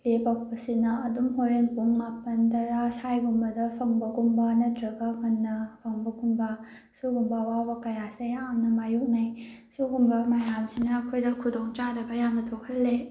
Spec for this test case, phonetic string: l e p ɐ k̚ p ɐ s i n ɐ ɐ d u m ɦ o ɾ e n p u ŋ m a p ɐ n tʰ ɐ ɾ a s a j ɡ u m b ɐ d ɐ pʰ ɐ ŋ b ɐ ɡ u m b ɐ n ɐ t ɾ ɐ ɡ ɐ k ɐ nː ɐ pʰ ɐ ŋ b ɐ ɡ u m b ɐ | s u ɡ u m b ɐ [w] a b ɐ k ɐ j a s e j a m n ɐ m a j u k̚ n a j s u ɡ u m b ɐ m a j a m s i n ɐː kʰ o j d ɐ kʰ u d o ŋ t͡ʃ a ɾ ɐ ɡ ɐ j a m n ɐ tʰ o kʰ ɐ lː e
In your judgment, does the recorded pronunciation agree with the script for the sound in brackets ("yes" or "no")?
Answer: yes